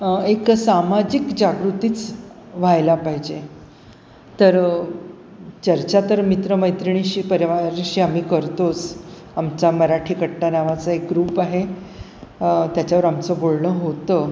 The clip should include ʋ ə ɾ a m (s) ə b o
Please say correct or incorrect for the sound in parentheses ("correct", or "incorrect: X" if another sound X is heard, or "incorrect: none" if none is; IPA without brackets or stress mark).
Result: incorrect: t͡s